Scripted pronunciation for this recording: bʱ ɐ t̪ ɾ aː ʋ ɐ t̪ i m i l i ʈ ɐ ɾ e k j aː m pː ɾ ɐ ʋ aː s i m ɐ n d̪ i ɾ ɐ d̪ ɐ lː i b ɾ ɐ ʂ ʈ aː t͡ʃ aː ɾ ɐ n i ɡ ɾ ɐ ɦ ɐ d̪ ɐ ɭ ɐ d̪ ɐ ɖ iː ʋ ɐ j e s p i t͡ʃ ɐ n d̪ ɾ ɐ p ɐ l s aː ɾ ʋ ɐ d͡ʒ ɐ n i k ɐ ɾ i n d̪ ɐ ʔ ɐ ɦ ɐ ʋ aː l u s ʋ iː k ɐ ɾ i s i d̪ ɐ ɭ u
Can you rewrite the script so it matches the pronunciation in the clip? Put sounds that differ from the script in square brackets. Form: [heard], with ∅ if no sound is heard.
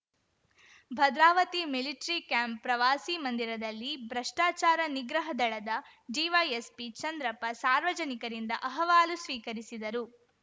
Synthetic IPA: bʱ ɐ [d̪] ɾ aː ʋ ɐ t̪ i m i l i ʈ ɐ ɾ [i] k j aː m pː ɾ ɐ ʋ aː s i m ɐ n d̪ i ɾ ɐ d̪ ɐ lː i b ɾ ɐ ʂ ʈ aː t͡ʃ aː ɾ ɐ n i ɡ ɾ ɐ ɦ ɐ d̪ ɐ ɭ ɐ d̪ ɐ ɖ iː ʋ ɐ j e s p i t͡ʃ ɐ n d̪ ɾ ɐ p ɐ [∅] s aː ɾ ʋ ɐ d͡ʒ ɐ n i k ɐ ɾ i n d̪ ɐ ʔ ɐ ɦ ɐ ʋ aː l u s ʋ iː k ɐ ɾ i s i d̪ ɐ [ɾ] u